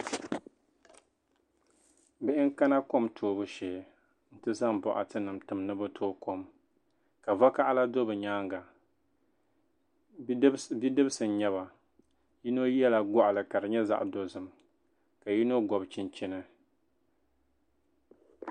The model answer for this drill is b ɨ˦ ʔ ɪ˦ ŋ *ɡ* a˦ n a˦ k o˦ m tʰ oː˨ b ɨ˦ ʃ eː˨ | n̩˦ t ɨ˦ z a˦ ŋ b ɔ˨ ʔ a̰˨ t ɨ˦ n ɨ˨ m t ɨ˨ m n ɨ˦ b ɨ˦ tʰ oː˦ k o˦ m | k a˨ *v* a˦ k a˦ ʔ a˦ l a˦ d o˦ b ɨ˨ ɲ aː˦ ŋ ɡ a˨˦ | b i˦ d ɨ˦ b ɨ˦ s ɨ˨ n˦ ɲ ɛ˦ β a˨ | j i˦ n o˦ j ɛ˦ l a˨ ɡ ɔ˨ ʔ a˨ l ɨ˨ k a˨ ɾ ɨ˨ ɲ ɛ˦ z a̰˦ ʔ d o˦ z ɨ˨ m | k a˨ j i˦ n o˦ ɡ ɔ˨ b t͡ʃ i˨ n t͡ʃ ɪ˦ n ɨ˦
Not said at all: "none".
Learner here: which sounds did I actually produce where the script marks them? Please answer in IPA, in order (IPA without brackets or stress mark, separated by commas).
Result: k, v